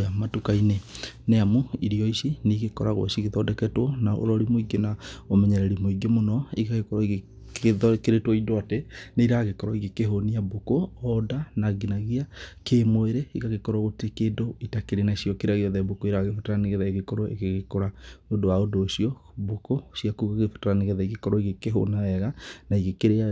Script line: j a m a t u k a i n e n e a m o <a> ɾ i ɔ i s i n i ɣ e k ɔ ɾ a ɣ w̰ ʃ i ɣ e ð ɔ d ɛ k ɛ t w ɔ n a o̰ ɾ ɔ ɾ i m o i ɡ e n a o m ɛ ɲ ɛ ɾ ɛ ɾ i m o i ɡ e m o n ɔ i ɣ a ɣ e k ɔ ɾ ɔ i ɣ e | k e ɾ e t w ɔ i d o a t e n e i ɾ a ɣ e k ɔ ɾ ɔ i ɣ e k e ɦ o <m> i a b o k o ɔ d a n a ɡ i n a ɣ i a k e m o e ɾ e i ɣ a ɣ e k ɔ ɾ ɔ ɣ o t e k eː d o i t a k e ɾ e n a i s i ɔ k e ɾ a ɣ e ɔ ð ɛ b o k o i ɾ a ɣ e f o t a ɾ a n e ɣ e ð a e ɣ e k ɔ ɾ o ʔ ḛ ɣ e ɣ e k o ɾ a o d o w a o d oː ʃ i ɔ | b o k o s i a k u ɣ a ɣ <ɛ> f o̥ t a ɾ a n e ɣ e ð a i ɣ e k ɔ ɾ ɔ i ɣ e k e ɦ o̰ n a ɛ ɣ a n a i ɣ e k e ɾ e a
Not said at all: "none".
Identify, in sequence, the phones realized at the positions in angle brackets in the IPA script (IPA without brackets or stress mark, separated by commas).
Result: i, n, e